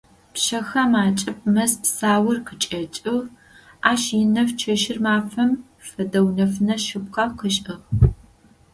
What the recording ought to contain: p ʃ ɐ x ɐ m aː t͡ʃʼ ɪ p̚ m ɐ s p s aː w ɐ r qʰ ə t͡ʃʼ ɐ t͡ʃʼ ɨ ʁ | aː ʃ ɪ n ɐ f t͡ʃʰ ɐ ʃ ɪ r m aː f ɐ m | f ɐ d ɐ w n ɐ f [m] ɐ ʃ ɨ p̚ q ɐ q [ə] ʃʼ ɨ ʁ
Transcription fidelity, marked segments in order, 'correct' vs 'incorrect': incorrect, correct

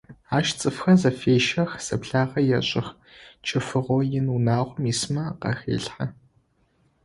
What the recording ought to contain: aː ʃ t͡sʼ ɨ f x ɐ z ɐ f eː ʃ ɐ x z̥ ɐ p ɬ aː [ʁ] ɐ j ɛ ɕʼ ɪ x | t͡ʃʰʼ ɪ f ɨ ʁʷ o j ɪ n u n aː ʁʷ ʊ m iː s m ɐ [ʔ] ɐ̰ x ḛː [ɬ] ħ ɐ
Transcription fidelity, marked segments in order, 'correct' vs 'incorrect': correct, incorrect, correct

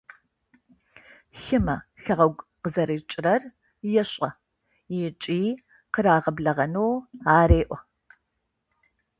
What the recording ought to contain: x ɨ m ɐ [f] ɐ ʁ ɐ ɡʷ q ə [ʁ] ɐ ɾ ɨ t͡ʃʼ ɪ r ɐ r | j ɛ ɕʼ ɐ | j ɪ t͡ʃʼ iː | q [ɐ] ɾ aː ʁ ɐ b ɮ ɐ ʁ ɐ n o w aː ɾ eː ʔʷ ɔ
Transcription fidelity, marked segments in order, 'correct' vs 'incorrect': incorrect, incorrect, incorrect

